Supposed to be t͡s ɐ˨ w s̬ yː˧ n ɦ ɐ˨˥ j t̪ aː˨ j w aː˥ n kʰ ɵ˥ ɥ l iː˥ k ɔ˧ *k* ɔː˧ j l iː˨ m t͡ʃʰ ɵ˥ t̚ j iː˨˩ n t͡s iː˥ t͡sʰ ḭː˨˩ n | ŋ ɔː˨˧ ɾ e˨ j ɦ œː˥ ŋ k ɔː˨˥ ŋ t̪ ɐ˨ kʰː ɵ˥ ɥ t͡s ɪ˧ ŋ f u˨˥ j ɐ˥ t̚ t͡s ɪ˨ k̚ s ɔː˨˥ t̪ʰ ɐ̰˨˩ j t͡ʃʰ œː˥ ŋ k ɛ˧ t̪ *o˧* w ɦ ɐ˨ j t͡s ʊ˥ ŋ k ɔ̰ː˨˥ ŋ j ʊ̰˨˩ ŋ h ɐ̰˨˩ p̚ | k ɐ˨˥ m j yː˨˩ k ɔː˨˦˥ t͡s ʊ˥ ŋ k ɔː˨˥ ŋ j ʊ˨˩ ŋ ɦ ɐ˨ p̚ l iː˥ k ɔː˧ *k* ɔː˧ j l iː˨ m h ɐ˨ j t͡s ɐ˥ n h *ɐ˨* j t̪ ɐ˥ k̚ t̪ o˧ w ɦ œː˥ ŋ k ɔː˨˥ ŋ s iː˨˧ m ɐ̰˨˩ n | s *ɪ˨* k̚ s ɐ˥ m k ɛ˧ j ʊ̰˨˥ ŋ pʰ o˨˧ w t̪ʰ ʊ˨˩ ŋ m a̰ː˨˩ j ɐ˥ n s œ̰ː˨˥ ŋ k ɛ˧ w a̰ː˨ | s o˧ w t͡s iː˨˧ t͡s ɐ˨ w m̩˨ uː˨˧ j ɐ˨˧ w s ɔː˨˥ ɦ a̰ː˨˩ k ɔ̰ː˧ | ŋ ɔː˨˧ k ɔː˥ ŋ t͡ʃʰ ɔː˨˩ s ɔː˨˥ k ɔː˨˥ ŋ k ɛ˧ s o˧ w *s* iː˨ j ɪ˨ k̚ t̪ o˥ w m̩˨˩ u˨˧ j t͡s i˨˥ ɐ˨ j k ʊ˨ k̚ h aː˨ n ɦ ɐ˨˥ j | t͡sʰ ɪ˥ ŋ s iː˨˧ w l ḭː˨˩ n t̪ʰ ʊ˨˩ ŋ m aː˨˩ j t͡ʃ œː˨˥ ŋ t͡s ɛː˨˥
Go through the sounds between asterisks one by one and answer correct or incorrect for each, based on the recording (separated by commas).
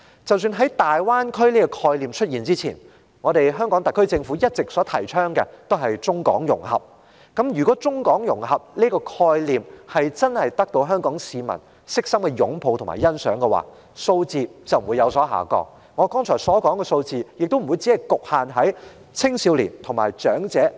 incorrect, incorrect, incorrect, correct, incorrect, incorrect